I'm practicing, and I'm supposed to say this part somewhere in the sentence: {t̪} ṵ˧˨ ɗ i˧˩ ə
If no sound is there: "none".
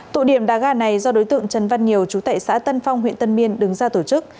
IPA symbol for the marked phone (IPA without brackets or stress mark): t̪